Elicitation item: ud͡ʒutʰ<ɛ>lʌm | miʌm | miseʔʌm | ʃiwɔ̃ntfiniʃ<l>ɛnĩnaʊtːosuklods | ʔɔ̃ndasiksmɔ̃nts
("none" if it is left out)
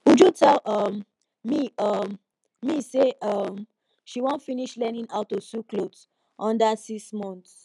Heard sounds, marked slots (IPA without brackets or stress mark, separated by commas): ɛ, l